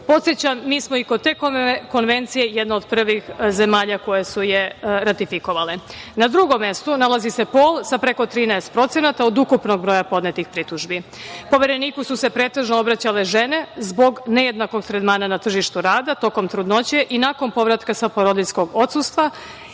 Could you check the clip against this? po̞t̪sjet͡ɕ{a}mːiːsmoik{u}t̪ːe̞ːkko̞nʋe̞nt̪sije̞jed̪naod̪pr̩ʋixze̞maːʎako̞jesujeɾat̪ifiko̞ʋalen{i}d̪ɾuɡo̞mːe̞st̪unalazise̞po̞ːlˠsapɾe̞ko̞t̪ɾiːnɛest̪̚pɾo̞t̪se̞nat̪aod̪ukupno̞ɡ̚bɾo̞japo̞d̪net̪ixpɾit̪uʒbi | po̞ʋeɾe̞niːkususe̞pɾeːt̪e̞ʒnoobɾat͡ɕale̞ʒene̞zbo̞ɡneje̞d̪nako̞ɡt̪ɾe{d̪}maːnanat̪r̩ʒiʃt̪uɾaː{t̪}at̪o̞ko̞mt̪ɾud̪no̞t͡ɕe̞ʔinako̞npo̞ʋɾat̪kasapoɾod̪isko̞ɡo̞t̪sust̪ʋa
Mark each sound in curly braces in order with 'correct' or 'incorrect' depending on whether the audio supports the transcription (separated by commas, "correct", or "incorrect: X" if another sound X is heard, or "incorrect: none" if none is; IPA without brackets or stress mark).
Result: correct, incorrect: o, incorrect: a, correct, incorrect: d̪